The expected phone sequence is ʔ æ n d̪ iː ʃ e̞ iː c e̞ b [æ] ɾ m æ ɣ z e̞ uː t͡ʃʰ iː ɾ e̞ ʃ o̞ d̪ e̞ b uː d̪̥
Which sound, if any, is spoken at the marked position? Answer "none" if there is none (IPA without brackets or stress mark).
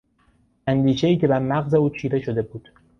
æ